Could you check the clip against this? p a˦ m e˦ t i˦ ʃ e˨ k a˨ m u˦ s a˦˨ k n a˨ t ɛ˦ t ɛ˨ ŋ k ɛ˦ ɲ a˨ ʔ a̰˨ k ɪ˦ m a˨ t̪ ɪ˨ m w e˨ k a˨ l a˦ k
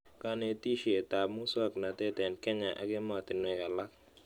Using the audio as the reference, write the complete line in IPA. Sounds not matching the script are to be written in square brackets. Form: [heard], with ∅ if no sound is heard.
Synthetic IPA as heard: [k] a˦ [n] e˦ t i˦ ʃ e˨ [t] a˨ m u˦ s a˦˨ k n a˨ t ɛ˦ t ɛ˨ [n] k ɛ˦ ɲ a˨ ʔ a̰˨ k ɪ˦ m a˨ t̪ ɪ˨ [n] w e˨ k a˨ l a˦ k